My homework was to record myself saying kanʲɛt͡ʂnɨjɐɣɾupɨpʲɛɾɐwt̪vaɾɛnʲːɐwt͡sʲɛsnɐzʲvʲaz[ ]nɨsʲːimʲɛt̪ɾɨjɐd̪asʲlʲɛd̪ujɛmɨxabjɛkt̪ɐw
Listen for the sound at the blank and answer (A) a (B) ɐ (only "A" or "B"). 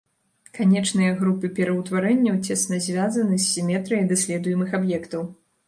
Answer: B